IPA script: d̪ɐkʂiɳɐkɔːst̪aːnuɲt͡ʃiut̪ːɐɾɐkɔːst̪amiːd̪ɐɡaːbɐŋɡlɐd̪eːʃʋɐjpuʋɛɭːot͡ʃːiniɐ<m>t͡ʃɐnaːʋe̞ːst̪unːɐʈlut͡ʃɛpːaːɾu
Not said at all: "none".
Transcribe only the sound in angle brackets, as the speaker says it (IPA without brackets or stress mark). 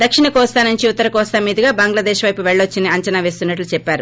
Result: ɲ